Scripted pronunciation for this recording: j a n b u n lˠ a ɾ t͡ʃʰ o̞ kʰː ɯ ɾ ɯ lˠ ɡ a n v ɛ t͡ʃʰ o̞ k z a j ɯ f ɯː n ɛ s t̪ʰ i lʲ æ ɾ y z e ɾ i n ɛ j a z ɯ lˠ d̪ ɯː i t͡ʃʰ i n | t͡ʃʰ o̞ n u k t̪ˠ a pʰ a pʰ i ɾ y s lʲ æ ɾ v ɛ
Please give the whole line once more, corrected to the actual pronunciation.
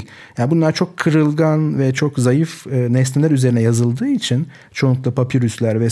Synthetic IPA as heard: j a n b u n lˠ a ɾ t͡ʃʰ o̞ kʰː ɯ ɾ ɯ lˠ ɡ a n v ɛ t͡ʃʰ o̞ k z a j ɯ f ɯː n ɛ s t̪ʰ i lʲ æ ɾ y z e ɾ i n ɛ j a z ɯ lˠ d̪ ɯː i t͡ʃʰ i n | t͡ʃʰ o̞ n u k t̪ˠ a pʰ a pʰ i ɾ y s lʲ æ ɾ v ɛ